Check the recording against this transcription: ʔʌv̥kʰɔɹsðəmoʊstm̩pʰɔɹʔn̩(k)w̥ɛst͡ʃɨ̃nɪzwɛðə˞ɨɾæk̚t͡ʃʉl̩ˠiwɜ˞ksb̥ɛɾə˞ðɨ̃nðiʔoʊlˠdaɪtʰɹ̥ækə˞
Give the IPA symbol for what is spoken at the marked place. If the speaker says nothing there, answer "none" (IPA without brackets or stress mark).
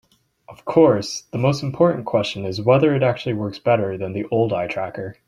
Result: kʰ